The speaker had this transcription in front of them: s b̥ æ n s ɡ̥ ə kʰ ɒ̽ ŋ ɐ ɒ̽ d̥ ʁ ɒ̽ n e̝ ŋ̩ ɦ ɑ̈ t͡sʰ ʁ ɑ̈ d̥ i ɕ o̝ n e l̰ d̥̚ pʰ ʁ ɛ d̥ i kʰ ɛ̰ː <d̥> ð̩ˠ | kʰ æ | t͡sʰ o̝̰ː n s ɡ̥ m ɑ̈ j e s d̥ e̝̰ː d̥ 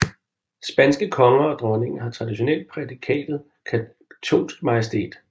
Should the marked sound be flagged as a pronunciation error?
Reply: no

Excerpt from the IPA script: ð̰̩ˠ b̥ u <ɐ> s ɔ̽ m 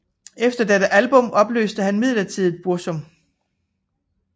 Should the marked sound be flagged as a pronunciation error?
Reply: no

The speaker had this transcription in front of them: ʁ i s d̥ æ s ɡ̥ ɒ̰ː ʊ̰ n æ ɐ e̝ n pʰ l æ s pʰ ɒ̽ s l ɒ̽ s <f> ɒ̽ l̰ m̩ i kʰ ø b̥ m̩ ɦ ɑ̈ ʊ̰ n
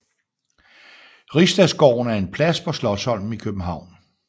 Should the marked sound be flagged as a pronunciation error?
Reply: yes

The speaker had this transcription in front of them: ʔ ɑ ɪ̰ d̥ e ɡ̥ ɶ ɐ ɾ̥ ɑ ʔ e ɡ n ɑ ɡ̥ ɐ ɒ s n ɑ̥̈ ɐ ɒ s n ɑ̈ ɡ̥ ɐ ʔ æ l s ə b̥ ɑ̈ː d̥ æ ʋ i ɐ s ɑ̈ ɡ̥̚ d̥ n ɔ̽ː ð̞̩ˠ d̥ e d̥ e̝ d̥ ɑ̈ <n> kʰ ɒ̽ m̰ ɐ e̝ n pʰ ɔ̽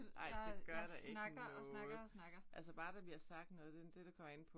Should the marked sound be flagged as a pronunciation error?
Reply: yes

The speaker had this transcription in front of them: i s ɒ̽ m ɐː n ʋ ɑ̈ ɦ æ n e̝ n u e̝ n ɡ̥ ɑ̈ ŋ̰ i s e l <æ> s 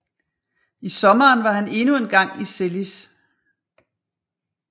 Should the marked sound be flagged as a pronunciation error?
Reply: yes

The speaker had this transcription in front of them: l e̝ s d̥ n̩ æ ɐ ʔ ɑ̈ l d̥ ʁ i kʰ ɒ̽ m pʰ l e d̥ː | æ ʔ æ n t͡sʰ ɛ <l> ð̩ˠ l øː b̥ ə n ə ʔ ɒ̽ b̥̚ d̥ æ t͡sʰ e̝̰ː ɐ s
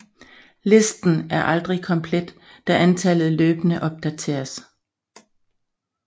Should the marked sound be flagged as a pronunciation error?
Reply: no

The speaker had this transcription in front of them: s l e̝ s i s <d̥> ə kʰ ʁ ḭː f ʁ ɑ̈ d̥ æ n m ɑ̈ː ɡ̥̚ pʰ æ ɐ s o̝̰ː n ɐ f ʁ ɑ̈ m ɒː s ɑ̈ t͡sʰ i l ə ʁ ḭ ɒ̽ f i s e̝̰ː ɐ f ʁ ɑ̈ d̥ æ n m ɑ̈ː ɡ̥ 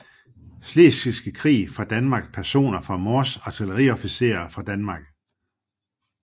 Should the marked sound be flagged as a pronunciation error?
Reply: yes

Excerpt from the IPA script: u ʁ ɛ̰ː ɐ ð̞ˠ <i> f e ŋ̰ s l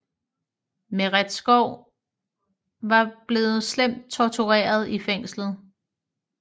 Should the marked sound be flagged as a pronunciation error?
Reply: no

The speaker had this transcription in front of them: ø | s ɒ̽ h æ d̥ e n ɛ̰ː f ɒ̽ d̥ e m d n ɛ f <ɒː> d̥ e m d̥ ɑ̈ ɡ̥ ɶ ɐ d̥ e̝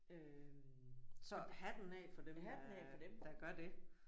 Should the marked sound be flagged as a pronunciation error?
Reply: yes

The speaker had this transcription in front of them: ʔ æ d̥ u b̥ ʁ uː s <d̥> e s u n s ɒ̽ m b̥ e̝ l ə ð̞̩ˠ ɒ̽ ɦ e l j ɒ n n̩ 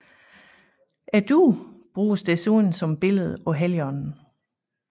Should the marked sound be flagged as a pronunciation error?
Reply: no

